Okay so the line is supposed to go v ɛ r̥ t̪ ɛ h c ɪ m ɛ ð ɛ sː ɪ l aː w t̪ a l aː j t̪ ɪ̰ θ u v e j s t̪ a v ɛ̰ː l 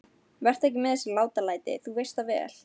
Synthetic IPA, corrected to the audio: v ɛ r̥ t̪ ɛ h c ɪ m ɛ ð ɛ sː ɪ l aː w t̪ a l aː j t̪ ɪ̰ θ u v e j s t̪ a v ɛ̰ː l